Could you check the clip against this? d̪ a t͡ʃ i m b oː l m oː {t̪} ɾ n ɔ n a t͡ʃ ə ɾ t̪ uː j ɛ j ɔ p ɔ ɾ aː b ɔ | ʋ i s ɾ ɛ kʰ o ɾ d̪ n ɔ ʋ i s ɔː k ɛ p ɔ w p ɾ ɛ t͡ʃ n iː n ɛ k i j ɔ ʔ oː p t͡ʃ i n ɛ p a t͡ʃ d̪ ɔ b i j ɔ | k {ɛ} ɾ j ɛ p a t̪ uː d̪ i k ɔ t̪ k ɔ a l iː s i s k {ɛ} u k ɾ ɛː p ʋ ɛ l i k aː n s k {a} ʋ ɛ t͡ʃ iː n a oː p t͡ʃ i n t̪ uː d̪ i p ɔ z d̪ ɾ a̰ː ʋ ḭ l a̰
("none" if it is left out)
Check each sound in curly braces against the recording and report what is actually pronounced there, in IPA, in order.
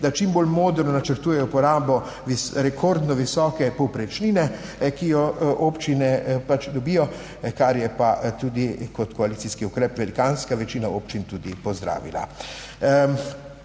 d̪, a, i, a

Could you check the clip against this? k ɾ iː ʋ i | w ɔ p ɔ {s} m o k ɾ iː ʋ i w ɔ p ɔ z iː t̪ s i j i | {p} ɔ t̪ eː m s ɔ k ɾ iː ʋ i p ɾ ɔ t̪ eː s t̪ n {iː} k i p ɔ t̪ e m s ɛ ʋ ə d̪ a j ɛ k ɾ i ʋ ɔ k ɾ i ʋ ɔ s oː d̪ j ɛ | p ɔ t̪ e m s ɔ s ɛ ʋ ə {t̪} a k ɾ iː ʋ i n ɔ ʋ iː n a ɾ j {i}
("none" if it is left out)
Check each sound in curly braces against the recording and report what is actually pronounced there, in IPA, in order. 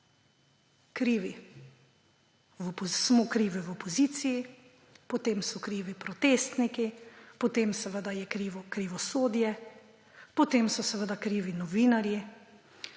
s, p, i, d̪, i

